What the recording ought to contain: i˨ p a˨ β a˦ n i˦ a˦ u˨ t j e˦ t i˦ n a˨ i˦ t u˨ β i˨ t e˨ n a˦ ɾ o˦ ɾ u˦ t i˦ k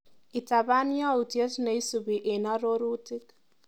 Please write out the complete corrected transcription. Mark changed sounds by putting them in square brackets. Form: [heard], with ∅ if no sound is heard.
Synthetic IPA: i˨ [t] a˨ β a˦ n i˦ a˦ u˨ t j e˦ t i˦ n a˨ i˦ [s] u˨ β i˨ [ʔ] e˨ n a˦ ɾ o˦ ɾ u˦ t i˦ k